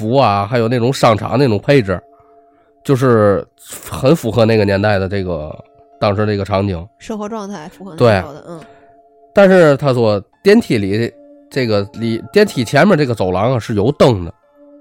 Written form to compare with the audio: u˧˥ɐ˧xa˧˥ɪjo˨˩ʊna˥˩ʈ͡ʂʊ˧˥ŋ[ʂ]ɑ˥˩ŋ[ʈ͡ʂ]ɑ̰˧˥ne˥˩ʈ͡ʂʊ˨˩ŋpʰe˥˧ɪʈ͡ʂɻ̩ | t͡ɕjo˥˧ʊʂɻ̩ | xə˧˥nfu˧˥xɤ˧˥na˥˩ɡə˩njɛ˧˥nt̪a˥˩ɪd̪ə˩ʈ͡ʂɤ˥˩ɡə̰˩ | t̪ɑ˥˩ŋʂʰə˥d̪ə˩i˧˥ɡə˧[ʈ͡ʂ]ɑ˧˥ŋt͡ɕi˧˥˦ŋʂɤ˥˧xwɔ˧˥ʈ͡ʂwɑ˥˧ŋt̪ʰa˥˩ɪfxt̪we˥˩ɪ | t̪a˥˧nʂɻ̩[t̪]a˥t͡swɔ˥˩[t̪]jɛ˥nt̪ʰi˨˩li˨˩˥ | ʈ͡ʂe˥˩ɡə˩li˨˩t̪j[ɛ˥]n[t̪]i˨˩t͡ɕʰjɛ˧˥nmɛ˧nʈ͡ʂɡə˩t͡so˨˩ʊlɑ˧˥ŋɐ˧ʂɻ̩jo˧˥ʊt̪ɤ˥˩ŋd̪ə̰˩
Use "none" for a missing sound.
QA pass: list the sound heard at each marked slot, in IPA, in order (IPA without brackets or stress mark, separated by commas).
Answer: ʂ, ʈ͡ʂʰ, ʈ͡ʂʰ, t̪ʰ, t̪, ɛ˥, t̪ʰ